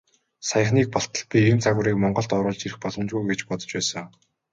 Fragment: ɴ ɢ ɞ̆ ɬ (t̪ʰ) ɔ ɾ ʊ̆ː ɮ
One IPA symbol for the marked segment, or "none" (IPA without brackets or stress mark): t̪